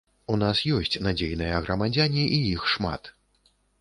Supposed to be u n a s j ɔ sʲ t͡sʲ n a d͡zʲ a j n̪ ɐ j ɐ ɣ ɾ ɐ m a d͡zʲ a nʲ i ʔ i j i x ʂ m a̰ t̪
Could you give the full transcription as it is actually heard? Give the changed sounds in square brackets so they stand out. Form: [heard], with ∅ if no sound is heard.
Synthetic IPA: u n a s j ɔ sʲ t͡sʲ n a d͡zʲ [e] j n̪ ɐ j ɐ ɣ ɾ ɐ m a d͡zʲ a nʲ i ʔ i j i x ʂ m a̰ t̪